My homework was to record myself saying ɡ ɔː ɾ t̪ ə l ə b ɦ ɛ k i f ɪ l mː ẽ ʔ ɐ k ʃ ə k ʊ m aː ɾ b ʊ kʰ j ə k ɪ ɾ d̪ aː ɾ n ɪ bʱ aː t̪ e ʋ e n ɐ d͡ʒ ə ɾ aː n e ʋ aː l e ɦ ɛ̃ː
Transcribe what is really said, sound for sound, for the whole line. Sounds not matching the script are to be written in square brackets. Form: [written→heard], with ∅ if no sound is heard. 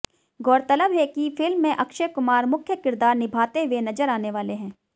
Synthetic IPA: ɡ ɔː ɾ t̪ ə l ə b ɦ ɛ k i f ɪ l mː ẽ ʔ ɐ k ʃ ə k ʊ m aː ɾ [b→m] ʊ kʰ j ə k ɪ ɾ d̪ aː ɾ n ɪ bʱ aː t̪ e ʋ e n ɐ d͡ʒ ə ɾ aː n e ʋ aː l e ɦ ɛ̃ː